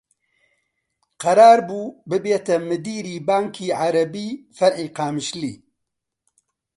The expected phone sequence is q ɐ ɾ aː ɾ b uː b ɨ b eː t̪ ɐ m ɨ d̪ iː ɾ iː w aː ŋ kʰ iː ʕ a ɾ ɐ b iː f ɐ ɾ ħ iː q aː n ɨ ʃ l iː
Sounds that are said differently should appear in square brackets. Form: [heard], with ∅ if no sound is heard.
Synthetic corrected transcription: q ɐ ɾ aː ɾ b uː b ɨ b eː t̪ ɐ m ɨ d̪ iː ɾ iː [b] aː ŋ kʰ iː ʕ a ɾ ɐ b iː f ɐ ɾ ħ iː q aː [m] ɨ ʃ l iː